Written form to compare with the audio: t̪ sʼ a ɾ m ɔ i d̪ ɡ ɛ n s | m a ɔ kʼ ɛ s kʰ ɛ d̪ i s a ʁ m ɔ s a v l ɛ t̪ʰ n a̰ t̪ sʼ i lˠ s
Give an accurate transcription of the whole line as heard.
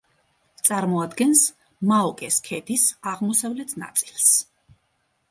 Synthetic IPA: t̪ sʼ a ɾ m ɔ a d̪ ɡ ɛ n s | m a ɔ kʼ ɛ s kʰ ɛ d̪ i s a ʁ m ɔ s a v l ɛ t̪ʰ n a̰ t̪ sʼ i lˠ s